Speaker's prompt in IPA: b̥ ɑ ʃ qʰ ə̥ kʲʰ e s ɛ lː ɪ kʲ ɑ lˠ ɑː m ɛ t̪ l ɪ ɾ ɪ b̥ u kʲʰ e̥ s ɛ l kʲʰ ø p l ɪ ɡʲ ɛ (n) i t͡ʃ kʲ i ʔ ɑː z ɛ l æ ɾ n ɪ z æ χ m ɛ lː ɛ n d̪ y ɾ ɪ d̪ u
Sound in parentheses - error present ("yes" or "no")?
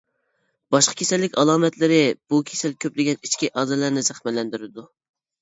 no